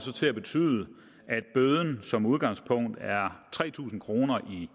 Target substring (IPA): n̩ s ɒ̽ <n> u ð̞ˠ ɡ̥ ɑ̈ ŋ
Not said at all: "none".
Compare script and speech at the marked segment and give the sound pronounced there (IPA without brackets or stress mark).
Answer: m